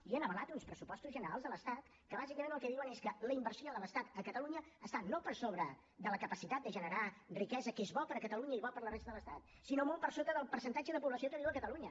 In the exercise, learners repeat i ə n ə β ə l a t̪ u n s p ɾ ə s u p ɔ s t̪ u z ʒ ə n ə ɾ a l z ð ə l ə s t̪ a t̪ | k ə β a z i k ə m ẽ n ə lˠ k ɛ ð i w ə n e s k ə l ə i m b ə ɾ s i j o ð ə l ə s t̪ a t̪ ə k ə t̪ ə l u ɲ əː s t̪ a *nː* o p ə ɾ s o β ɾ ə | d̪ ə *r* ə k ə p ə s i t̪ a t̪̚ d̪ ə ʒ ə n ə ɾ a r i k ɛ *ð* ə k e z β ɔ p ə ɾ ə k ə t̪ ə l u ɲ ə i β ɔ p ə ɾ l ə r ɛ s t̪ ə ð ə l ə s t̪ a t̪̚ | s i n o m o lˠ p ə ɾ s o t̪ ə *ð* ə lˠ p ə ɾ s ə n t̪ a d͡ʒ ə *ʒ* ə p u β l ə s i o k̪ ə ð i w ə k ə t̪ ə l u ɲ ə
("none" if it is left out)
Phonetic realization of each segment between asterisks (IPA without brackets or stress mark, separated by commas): n, l, z, ð, ð